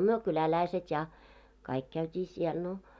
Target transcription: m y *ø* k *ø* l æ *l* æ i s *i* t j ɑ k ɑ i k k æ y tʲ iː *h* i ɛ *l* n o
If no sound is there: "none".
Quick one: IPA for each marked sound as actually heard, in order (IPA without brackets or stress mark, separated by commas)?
ø, y, l, e, s, l